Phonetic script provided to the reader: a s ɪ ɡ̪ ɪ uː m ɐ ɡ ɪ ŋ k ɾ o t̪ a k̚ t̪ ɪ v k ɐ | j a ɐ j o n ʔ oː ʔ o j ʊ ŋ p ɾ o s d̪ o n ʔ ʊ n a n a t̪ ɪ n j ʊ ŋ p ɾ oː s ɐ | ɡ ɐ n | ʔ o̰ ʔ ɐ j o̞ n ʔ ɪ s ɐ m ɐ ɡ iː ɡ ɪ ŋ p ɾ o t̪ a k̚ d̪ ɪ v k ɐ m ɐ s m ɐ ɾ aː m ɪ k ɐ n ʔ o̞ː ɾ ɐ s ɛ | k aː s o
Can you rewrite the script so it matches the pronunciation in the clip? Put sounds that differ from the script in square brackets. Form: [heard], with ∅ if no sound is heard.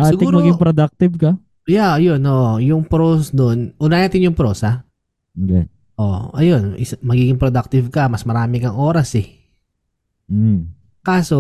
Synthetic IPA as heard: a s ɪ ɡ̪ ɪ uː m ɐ ɡ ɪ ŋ [p] ɾ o [d̪] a k̚ t̪ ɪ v k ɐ | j a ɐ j o n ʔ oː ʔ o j ʊ ŋ p ɾ o s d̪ o n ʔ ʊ n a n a t̪ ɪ n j ʊ ŋ p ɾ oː s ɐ | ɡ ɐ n | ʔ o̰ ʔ ɐ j o̞ n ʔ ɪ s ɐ m ɐ ɡ iː ɡ ɪ ŋ p ɾ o [d̪] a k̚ [t̪] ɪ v k ɐ m ɐ s m ɐ ɾ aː m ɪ k ɐ [ŋ] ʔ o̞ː ɾ ɐ s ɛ | k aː s o